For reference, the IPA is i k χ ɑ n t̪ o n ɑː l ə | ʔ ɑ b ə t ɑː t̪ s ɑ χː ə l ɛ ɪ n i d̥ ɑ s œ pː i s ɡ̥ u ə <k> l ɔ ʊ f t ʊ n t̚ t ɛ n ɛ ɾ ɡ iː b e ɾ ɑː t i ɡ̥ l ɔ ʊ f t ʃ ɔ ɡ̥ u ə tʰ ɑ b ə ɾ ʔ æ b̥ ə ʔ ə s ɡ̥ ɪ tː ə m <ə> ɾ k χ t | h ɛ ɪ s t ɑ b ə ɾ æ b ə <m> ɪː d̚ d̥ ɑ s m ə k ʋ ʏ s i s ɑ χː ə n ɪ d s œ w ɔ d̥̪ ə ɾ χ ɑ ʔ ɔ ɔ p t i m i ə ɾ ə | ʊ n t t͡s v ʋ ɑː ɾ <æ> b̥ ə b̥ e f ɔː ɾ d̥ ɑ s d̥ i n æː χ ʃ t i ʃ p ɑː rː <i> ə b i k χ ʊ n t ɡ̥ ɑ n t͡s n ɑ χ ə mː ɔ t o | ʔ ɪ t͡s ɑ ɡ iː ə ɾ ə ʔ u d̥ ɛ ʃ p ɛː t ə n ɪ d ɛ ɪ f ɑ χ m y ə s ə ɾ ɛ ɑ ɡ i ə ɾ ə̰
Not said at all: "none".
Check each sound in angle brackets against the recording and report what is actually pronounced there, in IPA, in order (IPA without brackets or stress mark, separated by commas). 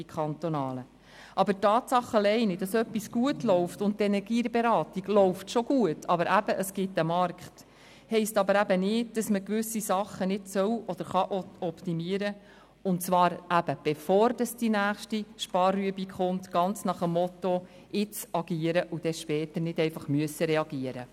t, ɑ, n, æ, y